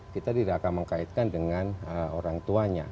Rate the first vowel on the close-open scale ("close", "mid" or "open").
close